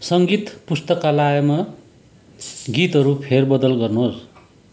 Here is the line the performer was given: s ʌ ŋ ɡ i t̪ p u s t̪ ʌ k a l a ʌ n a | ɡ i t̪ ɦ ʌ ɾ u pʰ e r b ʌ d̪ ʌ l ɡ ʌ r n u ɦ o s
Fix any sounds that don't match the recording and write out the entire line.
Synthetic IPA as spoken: s ʌ ŋ ɡ i t̪ p u s t̪ ʌ k a l a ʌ m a | ɡ i t̪ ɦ ʌ ɾ u pʰ e r b ʌ d̪ ʌ l ɡ ʌ r n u ɦ o s

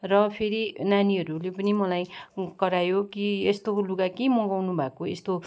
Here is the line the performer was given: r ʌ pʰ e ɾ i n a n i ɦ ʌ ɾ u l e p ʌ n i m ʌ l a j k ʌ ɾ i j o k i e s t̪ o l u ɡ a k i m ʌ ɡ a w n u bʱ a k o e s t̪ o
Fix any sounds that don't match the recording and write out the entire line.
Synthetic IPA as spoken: r ʌ pʰ e ɾ i n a n i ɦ ʌ ɾ u l e p ʌ n i m ʌ l a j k ʌ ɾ a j o k i e s t̪ o l u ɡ a k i m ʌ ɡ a w n u bʱ a k o e s t̪ o

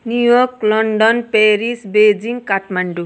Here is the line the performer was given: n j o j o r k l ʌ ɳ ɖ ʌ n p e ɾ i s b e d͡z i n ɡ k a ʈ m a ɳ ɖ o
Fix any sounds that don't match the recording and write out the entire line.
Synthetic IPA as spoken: n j u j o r k l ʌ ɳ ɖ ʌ n p e ɾ i s b e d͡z i ŋ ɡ k a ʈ m a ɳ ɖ u

